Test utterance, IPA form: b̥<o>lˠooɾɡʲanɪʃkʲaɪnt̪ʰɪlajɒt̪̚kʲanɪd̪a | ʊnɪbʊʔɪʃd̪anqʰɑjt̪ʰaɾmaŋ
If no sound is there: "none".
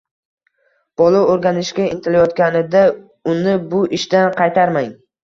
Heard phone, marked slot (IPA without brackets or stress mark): ɒ